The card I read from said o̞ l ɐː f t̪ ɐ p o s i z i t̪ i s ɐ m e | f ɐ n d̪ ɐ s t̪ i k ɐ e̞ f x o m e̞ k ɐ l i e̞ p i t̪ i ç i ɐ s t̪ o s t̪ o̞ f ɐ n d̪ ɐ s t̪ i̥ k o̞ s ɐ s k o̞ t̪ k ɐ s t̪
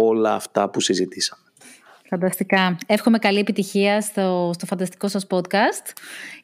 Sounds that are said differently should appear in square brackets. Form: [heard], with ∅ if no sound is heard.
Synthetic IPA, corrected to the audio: o̞ l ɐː f t̪ ɐ p [u] s i z i t̪ i s ɐ m e | f ɐ n d̪ ɐ s t̪ i k ɐ e̞ f x o m e̞ k ɐ l i e̞ p i t̪ i ç i ɐ s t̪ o s t̪ o̞ f ɐ n d̪ ɐ s t̪ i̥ k o̞ s ɐ s [p] o̞ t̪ k ɐ s t̪